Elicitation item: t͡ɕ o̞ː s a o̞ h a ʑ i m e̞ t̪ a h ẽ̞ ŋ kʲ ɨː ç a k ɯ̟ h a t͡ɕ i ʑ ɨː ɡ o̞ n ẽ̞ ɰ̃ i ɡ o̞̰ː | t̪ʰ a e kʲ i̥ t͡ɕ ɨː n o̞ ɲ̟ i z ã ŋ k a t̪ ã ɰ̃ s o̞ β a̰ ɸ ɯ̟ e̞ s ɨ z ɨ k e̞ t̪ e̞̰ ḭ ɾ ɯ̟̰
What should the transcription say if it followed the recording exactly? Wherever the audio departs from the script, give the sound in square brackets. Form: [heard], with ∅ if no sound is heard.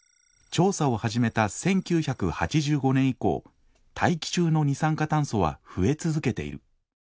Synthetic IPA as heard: t͡ɕ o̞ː s a o̞ h a ʑ i m e̞ t̪ a [s] ẽ̞ ŋ kʲ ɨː ç a k ɯ̟ h a t͡ɕ i ʑ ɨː ɡ o̞ n ẽ̞ ɰ̃ i [k] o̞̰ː | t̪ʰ a [i] kʲ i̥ t͡ɕ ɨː n o̞ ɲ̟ i [s] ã ŋ k a t̪ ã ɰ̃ s o̞ β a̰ ɸ ɯ̟ e̞ [t͡s] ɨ z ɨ k e̞ t̪ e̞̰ ḭ ɾ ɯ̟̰